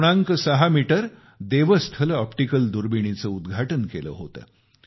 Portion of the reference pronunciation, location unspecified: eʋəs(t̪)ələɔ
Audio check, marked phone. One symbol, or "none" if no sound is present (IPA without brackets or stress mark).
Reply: t̪ʰ